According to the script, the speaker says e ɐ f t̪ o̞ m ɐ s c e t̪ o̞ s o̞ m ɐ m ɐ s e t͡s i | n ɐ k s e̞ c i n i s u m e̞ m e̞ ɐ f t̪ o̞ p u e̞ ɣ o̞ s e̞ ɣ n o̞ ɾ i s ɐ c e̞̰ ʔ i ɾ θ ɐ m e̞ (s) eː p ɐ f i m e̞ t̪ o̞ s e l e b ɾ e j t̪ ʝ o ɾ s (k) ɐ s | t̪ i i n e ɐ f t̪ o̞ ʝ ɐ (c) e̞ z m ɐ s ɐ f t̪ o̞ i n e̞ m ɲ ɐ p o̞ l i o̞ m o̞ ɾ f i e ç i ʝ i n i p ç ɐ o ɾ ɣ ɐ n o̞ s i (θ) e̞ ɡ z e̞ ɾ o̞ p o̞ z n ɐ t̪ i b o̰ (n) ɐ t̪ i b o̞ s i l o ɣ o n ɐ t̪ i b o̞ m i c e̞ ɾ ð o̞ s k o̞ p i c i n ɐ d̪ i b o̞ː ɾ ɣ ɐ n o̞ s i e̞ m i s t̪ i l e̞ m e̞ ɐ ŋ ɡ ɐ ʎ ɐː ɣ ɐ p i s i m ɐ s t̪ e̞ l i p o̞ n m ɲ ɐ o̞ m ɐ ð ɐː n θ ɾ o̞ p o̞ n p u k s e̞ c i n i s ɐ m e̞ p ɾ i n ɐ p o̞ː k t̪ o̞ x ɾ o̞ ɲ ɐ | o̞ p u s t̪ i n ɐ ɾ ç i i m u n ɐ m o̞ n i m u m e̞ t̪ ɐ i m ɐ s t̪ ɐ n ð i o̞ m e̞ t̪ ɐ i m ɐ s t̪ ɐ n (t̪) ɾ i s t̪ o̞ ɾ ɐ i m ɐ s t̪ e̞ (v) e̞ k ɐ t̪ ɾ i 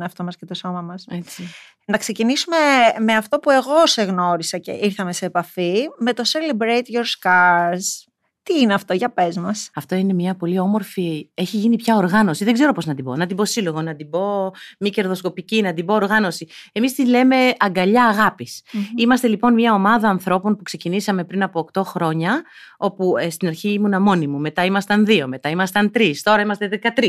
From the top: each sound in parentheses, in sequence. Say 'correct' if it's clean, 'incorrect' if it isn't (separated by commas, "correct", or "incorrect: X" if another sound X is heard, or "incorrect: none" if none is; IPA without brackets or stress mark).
correct, correct, incorrect: p, incorrect: ð, correct, correct, incorrect: ð